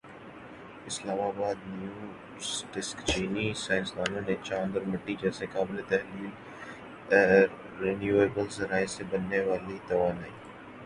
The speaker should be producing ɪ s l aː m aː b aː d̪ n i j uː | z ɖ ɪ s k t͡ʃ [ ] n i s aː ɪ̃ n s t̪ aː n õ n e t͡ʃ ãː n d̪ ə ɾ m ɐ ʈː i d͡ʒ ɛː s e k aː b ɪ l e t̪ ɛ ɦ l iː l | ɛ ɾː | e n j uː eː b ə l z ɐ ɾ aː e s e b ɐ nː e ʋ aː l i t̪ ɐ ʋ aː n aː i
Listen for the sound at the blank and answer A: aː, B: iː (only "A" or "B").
B